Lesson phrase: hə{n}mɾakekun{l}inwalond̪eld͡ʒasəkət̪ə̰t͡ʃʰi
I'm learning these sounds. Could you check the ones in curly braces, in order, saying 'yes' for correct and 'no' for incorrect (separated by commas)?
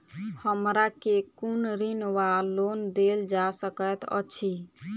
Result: no, no